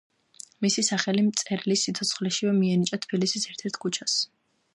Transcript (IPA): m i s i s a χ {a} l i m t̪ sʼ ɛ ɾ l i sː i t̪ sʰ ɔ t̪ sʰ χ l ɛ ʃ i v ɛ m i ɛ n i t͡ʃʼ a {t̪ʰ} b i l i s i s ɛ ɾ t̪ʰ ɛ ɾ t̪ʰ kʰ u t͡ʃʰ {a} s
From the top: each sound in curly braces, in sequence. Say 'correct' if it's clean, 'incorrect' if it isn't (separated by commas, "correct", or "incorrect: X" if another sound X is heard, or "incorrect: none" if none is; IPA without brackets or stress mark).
incorrect: ɛ, correct, correct